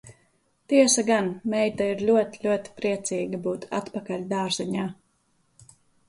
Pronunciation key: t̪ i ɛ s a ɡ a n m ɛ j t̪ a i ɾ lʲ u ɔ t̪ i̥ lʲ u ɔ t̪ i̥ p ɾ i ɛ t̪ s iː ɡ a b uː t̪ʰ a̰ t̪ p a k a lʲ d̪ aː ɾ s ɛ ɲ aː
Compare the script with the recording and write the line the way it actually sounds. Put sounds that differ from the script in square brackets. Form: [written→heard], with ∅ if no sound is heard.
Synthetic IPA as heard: t̪ i ɛ s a ɡ a n m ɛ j t̪ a i ɾ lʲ u ɔ t̪ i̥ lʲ u ɔ t̪ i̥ p ɾ i ɛ t̪ s iː ɡ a b uː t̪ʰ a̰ t̪ p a k a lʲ d̪ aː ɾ [s→z] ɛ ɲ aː